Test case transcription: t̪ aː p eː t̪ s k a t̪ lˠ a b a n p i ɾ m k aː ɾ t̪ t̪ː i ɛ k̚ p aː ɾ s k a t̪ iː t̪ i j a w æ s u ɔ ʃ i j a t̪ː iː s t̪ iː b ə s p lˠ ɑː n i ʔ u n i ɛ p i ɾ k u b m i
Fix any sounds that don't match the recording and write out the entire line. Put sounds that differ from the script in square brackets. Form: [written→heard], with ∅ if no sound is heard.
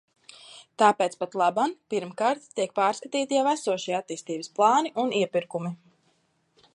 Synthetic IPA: t̪ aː p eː t̪ s [k→p] a t̪ lˠ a b a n p i ɾ m k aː ɾ t̪ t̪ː i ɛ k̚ p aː ɾ s k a t̪ iː t̪ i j a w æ s u ɔ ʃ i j a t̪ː iː s t̪ iː b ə s p lˠ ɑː n i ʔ u n i ɛ p i ɾ k u [b→∅] m i

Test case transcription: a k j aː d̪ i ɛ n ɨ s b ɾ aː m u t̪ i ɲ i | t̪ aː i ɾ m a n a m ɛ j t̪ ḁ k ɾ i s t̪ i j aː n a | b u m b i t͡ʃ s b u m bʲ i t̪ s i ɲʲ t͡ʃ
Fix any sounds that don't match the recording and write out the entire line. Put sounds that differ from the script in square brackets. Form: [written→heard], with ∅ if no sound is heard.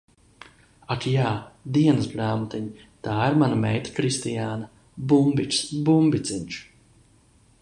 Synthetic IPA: a k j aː d̪ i ɛ n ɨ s b ɾ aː m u t̪ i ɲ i | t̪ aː i ɾ m a n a m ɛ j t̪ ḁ k ɾ i s t̪ i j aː n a | b u m b i t͡ʃ s b u m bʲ i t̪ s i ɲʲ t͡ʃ

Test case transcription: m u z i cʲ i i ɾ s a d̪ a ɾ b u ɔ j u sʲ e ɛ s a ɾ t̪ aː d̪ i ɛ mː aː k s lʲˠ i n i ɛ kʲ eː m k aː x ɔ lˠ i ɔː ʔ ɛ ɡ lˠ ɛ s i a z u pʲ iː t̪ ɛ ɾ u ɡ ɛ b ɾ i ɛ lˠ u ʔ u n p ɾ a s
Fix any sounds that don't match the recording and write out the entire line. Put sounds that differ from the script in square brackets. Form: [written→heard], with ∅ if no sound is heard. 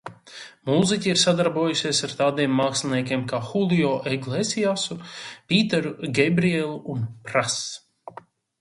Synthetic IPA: m u z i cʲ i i ɾ s a d̪ a ɾ b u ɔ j u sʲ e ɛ s a ɾ t̪ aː d̪ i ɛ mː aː k s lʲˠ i n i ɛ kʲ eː m k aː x [ɔ→u] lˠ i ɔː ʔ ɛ ɡ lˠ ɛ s i a [z→s] u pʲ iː t̪ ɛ ɾ u ɡ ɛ b ɾ i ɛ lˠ u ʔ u n p ɾ a s

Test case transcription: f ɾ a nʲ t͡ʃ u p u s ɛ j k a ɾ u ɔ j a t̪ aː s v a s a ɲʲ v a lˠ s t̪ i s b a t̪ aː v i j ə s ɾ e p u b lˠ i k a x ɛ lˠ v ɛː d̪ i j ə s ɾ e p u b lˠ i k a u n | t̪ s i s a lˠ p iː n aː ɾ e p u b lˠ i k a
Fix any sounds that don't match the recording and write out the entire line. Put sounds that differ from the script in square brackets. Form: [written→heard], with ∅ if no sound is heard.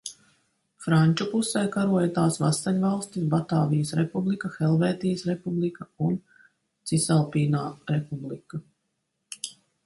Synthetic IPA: f ɾ a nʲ t͡ʃ u p u s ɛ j k a ɾ u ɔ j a t̪ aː s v a s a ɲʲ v a lˠ s t̪ i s b a t̪ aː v i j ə s ɾ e p u b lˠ i k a x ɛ lˠ v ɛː [d̪→t̪] i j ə s ɾ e p u b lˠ i k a u n | t̪ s i s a lˠ p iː n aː ɾ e p u b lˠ i k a

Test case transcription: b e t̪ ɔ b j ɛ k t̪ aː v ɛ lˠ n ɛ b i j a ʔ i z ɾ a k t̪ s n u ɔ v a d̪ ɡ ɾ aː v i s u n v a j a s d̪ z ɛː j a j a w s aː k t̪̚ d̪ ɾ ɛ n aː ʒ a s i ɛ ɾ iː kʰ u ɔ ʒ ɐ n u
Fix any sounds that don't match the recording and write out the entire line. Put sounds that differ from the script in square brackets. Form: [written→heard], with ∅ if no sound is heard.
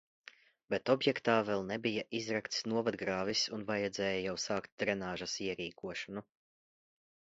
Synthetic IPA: b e t̪ ɔ b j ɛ k t̪ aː v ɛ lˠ n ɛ b i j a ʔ i z ɾ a k t̪ s n u ɔ v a d̪ ɡ ɾ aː v i s u n v a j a [s→∅] d̪ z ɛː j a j a w s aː k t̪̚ d̪ ɾ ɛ n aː ʒ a s i ɛ ɾ iː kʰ u ɔ [ʒ→ʃ] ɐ n u

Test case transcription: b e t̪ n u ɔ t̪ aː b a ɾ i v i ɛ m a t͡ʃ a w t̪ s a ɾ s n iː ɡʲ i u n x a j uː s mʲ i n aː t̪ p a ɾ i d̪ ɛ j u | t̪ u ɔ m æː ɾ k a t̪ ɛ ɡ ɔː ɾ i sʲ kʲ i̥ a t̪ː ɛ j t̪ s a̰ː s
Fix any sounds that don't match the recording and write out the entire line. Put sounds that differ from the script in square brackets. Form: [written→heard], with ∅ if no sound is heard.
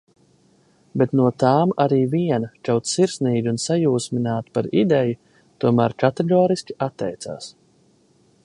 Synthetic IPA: b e t̪ n u ɔ t̪ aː [b→m] a ɾ [i→iː] v i ɛ [m→n] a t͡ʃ a w t̪ s [a→i] ɾ s n iː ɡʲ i u n [x→s] a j uː s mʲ i n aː t̪ p a ɾ i d̪ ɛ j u | t̪ u ɔ m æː ɾ k a t̪ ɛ ɡ ɔː ɾ i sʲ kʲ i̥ a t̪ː ɛ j t̪ s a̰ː s

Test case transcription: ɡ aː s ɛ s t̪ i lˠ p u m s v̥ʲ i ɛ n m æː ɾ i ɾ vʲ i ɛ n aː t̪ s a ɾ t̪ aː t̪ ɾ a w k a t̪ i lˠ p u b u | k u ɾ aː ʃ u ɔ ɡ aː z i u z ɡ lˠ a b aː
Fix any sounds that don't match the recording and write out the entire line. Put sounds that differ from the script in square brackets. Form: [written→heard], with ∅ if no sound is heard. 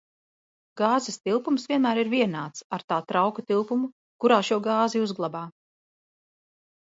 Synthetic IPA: ɡ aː [s→z] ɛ s t̪ i lˠ p u m s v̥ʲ i ɛ n m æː ɾ i ɾ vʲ i ɛ n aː t̪ s a ɾ t̪ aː t̪ ɾ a w k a t̪ i lˠ p u [b→m] u | k u ɾ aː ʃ u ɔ ɡ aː z i u z ɡ lˠ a b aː

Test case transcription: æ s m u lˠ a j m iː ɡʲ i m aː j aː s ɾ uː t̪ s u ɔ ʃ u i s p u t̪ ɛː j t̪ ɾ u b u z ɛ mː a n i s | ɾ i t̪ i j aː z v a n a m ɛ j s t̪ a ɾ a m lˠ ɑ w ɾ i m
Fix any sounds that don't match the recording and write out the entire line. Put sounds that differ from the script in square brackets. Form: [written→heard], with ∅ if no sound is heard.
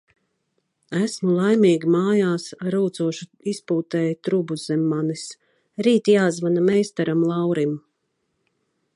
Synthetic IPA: æ s m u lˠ a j m iː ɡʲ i m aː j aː s ɾ uː t̪ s u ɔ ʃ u i s p [u→uː] t̪ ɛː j t̪ ɾ u b u z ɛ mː a n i s | ɾ [i→iː] t̪ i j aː z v a n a m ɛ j s t̪ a ɾ a m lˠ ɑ w ɾ i m

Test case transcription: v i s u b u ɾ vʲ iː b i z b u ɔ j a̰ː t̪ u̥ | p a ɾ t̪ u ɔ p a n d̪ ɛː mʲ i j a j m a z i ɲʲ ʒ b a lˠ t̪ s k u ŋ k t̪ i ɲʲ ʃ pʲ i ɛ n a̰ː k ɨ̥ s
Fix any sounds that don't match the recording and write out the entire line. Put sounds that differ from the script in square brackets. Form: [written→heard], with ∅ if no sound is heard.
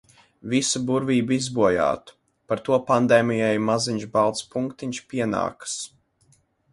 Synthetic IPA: v i s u b u ɾ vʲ iː b i z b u ɔ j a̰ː t̪ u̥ | p a ɾ t̪ u ɔ p a n d̪ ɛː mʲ i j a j m a z i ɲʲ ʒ b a lˠ t̪ s [k→p] u ŋ k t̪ i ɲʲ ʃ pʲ i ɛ n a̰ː k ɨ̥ s

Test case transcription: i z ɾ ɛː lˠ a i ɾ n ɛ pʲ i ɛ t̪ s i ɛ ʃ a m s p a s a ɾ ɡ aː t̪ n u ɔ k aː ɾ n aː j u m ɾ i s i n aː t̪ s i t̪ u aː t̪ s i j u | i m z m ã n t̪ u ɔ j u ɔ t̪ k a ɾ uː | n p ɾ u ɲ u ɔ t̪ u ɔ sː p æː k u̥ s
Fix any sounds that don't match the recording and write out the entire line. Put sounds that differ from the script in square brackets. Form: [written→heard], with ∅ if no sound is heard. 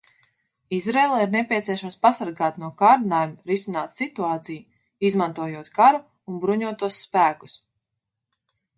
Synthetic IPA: i z ɾ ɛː lˠ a i ɾ n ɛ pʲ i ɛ t̪ s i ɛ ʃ a m s p a s a ɾ ɡ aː t̪ n u ɔ k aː ɾ n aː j u m ɾ i s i n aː t̪ s i t̪ u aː t̪ s i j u | i [m→∅] z m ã n t̪ u ɔ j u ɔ t̪ k a ɾ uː | n [p→b] ɾ u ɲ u ɔ t̪ u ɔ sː p æː k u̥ s

